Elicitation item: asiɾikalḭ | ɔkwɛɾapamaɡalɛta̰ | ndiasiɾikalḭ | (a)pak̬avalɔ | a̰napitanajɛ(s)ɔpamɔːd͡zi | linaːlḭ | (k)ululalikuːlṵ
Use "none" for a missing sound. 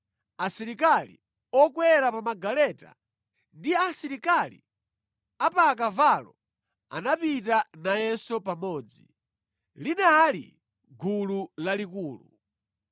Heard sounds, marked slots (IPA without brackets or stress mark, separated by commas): a, s, ɡ